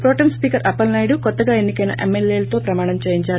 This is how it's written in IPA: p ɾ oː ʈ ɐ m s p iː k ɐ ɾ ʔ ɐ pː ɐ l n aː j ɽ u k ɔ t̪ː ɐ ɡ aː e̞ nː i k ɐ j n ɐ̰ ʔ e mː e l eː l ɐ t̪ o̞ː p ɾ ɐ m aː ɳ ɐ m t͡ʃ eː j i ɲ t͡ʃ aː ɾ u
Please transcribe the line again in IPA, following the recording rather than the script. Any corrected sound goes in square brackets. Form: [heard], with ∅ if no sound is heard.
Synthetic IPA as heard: p ɾ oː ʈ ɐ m s p iː k ɐ ɾ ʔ ɐ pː ɐ l n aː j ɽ u k ɔ t̪ː ɐ ɡ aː e̞ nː i k ɐ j n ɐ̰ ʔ e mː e l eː l ɐ t̪ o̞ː p ɾ ɐ m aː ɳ ɐ m t͡ʃ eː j i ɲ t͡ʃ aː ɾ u